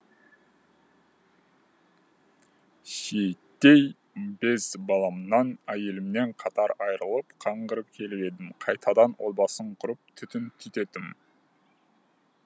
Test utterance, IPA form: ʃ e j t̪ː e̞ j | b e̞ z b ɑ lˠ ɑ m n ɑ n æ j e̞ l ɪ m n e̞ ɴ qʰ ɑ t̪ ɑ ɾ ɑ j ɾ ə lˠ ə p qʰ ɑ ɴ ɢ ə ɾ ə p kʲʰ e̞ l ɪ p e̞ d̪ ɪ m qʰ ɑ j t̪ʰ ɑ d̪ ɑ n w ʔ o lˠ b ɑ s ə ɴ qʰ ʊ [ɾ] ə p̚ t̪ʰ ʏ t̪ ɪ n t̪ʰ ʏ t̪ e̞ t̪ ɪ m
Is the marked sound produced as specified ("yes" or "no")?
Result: yes